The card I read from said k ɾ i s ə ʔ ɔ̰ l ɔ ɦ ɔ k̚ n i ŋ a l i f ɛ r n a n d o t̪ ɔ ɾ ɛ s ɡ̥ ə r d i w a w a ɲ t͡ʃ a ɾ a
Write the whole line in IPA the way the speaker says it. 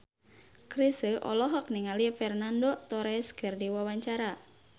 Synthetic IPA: k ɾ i s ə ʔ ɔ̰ l ɔ ɦ ɔ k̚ n i ŋ a l i f ɛ r n a n d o t̪ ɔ ɾ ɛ s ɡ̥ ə r d i w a w a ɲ t͡ʃ a ɾ a